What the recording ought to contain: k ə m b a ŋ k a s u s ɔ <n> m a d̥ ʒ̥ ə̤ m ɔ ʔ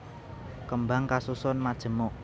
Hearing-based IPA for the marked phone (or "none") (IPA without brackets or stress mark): n